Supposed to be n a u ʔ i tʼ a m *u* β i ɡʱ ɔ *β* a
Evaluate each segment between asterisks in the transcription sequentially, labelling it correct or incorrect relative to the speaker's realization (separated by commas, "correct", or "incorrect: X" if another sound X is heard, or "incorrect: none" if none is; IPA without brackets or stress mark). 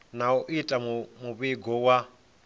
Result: correct, incorrect: w